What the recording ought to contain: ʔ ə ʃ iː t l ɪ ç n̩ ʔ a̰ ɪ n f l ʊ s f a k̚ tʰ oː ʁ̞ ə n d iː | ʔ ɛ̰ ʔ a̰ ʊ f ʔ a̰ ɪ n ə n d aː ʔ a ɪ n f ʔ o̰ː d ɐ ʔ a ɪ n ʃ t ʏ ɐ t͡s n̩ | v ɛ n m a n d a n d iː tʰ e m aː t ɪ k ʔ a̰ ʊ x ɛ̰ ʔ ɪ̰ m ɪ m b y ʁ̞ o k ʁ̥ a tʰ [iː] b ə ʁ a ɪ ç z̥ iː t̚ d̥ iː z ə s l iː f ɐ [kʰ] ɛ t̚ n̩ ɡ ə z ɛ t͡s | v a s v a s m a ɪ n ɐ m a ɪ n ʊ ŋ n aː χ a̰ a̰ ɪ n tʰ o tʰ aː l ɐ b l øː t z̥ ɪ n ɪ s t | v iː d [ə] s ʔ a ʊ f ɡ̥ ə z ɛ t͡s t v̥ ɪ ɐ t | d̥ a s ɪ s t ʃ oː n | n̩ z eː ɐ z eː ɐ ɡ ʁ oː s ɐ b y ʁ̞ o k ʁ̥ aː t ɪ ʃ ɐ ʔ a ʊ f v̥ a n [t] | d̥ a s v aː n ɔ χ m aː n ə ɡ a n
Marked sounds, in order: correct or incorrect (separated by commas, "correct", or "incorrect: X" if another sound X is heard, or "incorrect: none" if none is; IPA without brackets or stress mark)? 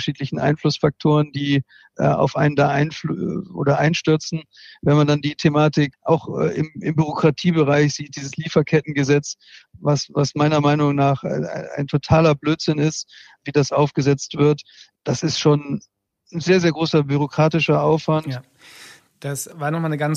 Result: correct, correct, incorrect: a, correct